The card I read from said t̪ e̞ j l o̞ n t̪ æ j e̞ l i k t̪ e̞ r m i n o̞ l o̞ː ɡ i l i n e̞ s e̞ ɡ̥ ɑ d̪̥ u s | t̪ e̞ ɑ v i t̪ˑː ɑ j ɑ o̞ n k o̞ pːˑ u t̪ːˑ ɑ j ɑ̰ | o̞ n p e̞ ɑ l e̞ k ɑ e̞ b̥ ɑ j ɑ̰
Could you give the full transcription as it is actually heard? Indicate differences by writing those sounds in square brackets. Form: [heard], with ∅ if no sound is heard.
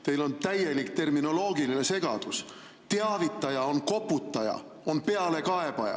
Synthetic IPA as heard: t̪ e̞ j l o̞ n t̪ æ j e̞ l i k t̪ e̞ r m i n o̞ l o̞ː ɡ i l i n e̞ s e̞ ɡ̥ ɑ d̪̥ u s | t̪ e̞ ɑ v i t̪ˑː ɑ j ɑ o̞ n k o̞ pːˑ u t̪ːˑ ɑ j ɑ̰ | o̞ n p e̞ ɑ l e̞ k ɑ e̞ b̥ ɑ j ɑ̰